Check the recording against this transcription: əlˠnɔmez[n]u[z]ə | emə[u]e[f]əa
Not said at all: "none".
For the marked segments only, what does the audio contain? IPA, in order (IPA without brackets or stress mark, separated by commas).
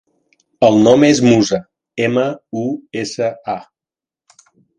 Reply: m, z, u, s